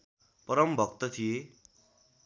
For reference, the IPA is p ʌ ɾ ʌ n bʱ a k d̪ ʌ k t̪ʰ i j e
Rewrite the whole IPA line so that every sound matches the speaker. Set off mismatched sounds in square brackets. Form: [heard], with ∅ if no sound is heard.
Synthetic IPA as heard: p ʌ ɾ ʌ [m] bʱ [ʌ] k [t̪] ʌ [∅] t̪ʰ i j e